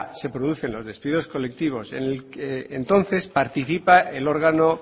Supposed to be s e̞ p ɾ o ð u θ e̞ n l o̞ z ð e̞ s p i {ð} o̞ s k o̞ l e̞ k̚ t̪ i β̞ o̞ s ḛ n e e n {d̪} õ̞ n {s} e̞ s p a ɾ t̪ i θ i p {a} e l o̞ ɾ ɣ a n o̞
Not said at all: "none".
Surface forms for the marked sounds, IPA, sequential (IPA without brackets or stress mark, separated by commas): ð, t̪, θ, a